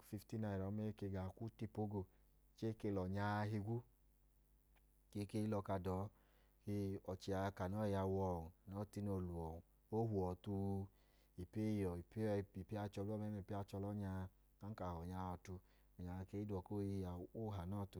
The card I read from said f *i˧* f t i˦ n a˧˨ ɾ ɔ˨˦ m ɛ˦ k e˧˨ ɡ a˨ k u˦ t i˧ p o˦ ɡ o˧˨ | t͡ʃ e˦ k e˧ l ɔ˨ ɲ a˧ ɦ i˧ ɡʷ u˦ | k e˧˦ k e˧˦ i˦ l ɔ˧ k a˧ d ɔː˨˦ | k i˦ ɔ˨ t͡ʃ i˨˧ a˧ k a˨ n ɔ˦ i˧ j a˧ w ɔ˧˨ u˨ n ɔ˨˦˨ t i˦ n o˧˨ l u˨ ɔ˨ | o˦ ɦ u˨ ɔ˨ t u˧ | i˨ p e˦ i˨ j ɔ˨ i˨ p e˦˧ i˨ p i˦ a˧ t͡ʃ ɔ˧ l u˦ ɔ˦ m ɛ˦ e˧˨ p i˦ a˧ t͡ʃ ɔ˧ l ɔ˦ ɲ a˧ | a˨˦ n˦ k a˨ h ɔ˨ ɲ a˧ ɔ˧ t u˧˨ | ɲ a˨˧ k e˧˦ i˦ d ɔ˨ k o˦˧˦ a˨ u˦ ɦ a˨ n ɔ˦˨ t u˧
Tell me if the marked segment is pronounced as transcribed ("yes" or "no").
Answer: yes